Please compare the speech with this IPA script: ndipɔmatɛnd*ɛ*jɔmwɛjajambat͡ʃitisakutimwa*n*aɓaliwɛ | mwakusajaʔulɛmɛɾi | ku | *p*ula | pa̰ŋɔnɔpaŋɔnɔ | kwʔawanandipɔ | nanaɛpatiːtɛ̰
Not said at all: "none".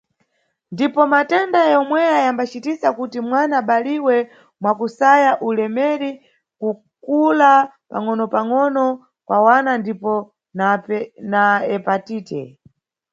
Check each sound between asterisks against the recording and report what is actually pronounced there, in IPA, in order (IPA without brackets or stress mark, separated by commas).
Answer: a, n, k